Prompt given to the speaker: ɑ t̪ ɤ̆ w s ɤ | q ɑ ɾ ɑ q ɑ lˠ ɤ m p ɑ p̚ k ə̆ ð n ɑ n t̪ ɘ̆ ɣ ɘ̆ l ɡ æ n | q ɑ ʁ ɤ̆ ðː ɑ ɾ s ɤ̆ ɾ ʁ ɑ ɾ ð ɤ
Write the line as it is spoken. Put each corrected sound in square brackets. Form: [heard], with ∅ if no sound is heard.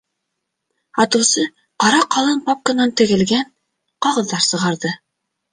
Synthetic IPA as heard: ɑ t̪ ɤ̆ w s ɤ | q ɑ ɾ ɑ q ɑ lˠ ɤ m p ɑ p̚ k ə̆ [∅] n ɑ n t̪ ɘ̆ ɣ ɘ̆ l ɡ æ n | q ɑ ʁ ɤ̆ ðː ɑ ɾ s ɤ̆ [∅] ʁ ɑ ɾ ð ɤ

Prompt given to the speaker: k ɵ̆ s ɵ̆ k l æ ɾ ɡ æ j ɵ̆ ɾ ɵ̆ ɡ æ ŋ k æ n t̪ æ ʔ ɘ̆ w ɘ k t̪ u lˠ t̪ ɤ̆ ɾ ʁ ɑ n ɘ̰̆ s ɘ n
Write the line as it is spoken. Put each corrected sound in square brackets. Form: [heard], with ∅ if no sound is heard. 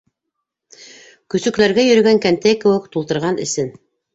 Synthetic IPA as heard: k ɵ̆ s ɵ̆ k l æ ɾ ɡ æ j ɵ̆ ɾ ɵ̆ ɡ æ ŋ k æ n t̪ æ [k] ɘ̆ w ɘ k t̪ u lˠ t̪ ɤ̆ ɾ ʁ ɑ n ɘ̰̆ s ɘ n

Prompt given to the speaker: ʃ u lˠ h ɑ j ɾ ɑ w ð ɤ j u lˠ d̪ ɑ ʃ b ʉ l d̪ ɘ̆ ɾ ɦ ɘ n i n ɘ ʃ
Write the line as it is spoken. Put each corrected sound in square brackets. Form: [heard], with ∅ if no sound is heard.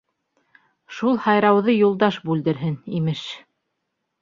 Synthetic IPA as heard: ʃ u lˠ h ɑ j ɾ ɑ w ð ɤ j u lˠ d̪ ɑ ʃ b ʉ l d̪ ɘ̆ ɾ ɦ ɘ n i [m] ɘ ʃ

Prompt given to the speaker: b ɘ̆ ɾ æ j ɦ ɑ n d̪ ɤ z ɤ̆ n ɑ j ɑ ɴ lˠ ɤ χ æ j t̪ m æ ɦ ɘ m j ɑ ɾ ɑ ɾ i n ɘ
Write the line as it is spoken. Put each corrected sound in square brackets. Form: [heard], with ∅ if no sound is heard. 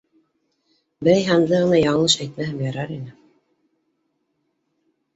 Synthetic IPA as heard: b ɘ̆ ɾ æ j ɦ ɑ n d̪ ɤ [ʁ] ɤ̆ n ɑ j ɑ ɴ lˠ ɤ [ʃ] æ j t̪ m æ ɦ ɘ m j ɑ ɾ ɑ ɾ i n ɘ

